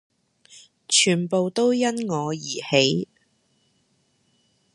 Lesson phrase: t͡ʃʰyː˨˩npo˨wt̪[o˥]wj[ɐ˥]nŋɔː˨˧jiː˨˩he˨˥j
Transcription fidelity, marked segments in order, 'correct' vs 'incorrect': correct, correct

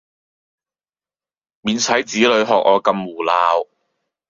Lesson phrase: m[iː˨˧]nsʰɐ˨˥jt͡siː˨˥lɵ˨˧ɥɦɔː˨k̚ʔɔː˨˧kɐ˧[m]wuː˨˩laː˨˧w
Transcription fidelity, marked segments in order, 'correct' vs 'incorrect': correct, correct

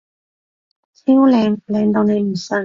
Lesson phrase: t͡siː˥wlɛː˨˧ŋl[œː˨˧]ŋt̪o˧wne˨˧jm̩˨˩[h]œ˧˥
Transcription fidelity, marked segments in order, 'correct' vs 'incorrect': incorrect: ɛː˨˧, incorrect: s

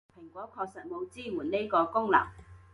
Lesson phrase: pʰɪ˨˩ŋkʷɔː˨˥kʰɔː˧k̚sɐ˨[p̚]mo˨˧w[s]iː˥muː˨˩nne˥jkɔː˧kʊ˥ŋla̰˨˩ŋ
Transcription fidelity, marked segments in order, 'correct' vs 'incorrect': incorrect: t̚, incorrect: t͡s

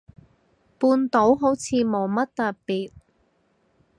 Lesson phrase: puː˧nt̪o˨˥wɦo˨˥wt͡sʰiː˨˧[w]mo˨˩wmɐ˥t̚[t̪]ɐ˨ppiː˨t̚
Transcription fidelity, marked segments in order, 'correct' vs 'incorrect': incorrect: none, correct

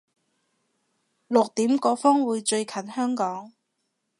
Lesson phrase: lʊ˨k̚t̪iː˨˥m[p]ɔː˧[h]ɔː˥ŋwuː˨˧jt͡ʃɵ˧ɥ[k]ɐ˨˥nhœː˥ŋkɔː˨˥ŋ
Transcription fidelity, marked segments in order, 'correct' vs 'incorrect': incorrect: k, incorrect: f, incorrect: kʰ

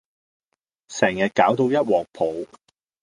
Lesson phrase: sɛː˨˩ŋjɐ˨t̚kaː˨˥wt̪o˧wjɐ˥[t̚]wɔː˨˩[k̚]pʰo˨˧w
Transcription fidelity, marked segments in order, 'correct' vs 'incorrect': correct, correct

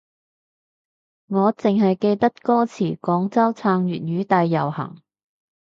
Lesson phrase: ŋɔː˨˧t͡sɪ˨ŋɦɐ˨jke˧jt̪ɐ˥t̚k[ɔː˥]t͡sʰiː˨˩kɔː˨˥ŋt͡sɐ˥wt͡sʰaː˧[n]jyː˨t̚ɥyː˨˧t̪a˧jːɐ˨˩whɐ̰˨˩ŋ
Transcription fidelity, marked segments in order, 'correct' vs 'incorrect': correct, incorrect: ŋ

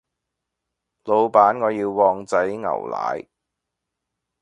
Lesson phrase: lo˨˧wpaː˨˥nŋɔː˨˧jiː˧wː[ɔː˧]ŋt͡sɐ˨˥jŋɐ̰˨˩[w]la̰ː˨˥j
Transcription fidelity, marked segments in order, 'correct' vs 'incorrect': correct, correct

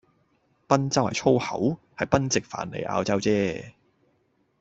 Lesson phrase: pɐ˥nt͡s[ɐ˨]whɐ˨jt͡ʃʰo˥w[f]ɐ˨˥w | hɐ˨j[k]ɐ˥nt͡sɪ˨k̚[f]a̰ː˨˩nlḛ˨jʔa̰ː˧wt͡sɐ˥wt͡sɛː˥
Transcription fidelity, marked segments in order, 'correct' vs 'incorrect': incorrect: ɐ˥, incorrect: h, incorrect: p, correct

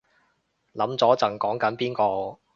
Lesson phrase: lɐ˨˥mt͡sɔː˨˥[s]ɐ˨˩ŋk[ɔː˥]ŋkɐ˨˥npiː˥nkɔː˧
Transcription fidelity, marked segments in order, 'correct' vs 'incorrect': incorrect: t͡s, incorrect: ɔː˨˥

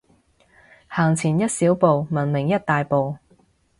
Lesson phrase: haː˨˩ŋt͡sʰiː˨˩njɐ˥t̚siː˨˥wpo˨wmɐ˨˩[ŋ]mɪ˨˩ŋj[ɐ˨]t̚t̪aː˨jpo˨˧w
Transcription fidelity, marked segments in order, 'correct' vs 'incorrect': incorrect: n, incorrect: ɐ˥

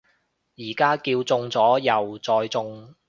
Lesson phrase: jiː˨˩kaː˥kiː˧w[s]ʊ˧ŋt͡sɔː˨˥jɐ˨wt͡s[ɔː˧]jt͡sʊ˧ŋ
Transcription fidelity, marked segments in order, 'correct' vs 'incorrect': incorrect: t͡s, correct

